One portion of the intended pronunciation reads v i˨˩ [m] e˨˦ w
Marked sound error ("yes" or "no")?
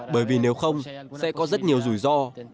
yes